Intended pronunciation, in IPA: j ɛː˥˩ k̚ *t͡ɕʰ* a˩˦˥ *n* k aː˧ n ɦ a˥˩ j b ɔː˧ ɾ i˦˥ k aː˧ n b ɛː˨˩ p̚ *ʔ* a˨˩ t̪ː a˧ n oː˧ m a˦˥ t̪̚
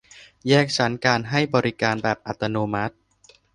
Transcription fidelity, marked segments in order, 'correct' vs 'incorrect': correct, correct, correct

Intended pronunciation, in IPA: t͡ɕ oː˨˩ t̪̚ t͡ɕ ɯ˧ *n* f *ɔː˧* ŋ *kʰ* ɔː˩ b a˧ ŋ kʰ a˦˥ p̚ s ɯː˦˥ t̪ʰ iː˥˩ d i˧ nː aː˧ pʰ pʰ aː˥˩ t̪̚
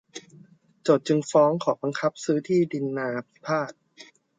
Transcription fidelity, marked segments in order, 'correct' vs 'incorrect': incorrect, incorrect, correct

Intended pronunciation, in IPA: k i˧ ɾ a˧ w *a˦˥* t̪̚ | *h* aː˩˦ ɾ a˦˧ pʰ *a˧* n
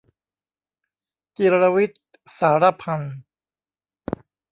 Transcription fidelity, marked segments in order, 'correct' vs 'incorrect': incorrect, incorrect, correct

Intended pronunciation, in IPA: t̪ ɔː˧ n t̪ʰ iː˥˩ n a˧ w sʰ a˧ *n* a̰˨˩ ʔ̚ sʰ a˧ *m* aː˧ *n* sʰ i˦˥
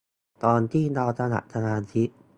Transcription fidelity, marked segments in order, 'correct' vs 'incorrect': correct, incorrect, correct

